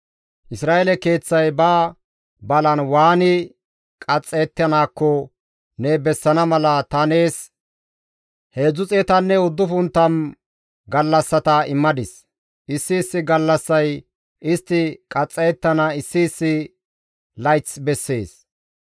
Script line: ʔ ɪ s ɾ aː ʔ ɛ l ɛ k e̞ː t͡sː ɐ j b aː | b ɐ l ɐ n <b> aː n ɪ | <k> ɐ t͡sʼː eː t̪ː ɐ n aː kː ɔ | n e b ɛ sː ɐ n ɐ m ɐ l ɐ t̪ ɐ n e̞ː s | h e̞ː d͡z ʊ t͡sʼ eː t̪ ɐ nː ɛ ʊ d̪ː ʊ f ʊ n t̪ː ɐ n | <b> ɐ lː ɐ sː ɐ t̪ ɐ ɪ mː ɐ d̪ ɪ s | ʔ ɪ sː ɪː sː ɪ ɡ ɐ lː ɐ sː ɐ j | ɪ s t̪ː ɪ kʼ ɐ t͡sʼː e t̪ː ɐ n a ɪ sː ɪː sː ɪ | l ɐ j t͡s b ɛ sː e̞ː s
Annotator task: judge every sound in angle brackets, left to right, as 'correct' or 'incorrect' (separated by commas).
incorrect, incorrect, incorrect